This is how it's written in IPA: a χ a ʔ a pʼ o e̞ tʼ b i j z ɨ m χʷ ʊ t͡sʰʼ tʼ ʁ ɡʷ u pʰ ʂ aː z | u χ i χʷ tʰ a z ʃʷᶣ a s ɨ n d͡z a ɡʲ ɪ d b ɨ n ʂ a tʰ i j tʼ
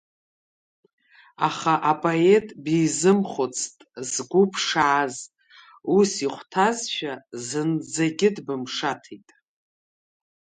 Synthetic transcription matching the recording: a χ a ʔ a pʼ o e̞ tʼ b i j z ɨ m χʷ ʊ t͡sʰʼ tʼ z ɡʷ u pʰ ʂ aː z | u s i χʷ tʰ a z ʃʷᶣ a z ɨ n d͡z a ɡʲ ɪ d b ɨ m ʂ a tʰ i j tʼ